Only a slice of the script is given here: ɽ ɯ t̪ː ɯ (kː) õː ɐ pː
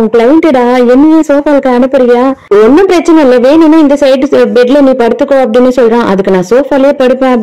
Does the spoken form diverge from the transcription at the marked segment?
no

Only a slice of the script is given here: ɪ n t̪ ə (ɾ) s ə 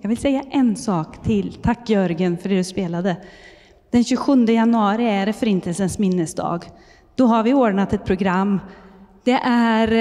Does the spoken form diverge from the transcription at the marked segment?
yes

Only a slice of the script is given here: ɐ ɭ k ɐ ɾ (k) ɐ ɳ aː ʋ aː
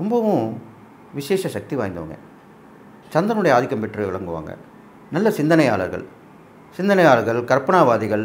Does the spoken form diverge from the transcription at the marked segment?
yes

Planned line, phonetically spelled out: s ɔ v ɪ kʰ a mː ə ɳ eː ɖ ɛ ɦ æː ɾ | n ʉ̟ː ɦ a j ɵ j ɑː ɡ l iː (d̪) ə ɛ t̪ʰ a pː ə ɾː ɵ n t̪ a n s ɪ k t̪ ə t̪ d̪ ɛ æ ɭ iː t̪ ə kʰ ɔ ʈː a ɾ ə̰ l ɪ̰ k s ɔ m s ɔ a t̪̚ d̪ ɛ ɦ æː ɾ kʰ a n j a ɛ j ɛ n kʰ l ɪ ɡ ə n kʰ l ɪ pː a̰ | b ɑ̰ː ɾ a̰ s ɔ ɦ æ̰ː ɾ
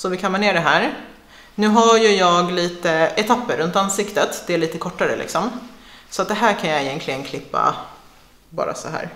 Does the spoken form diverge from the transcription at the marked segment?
yes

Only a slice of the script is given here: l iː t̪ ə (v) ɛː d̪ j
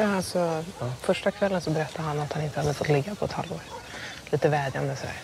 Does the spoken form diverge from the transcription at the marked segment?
no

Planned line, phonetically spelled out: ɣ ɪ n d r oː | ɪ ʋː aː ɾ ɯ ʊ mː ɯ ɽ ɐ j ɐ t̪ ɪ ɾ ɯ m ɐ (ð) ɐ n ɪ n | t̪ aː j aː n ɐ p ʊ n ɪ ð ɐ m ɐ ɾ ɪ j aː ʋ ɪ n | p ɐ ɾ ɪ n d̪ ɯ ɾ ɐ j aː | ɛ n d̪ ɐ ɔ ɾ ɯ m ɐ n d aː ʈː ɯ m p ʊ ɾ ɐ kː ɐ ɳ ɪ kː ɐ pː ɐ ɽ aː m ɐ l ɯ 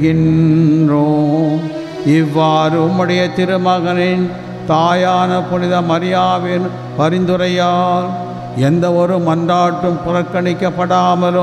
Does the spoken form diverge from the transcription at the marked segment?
yes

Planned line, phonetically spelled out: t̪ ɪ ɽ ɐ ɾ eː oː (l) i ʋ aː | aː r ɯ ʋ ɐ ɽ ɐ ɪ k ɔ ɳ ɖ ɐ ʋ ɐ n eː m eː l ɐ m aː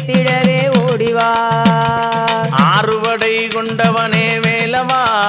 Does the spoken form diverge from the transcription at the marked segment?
yes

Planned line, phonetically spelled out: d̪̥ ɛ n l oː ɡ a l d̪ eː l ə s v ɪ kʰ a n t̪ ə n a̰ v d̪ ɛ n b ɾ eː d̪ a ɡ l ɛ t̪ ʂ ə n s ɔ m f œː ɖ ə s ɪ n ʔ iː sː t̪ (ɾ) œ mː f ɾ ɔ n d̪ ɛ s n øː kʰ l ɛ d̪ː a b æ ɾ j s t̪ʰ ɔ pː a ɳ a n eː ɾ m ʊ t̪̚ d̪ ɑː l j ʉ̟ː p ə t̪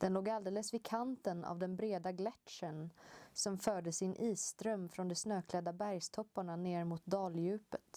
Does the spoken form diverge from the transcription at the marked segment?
no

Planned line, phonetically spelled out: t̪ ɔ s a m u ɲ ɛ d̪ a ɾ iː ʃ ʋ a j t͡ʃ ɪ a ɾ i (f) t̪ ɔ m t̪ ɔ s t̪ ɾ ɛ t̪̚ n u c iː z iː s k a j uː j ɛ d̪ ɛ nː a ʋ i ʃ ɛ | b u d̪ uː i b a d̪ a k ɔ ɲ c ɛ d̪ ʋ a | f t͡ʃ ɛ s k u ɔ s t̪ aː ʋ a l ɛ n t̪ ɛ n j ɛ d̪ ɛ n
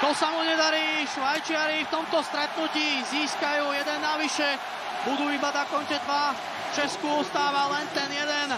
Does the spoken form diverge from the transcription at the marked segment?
no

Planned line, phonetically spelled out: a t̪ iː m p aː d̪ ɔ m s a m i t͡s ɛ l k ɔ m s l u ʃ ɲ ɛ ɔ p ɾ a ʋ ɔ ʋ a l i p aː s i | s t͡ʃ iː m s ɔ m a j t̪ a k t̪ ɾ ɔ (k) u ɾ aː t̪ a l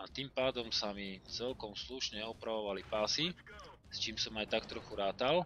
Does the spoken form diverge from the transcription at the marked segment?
yes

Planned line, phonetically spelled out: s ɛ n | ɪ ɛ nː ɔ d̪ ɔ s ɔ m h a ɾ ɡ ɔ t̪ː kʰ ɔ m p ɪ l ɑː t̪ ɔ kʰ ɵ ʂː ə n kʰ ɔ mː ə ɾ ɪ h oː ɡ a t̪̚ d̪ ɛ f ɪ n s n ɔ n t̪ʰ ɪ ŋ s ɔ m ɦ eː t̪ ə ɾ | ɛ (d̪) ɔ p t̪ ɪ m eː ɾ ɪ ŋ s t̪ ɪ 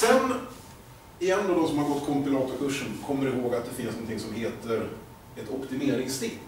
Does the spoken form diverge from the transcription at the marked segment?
yes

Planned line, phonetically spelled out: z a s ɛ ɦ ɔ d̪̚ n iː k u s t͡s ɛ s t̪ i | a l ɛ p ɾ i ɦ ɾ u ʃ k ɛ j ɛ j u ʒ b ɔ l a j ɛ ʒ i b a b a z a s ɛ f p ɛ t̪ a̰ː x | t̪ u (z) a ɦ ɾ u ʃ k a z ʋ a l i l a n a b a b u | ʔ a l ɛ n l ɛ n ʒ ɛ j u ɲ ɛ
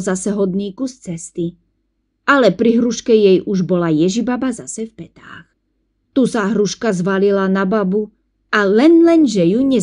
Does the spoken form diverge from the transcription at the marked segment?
yes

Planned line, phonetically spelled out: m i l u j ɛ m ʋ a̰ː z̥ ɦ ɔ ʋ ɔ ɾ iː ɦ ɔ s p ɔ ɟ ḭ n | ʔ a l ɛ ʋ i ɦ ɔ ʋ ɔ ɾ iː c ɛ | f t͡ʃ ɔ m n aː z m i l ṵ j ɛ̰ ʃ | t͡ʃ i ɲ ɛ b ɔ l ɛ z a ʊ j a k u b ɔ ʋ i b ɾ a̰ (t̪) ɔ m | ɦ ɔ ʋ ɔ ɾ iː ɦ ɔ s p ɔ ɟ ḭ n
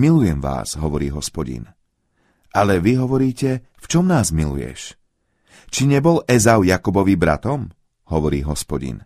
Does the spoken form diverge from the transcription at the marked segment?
no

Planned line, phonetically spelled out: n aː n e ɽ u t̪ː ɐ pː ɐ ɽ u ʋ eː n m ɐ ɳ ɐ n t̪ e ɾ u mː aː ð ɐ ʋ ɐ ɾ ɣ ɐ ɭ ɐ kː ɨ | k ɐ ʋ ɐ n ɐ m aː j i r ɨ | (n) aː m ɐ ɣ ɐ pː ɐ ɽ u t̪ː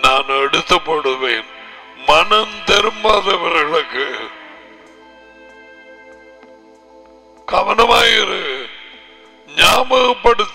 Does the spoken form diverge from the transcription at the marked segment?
yes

